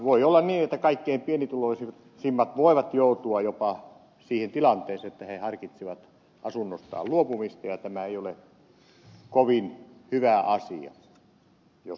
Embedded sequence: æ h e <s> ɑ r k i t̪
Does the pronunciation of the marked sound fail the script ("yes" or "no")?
yes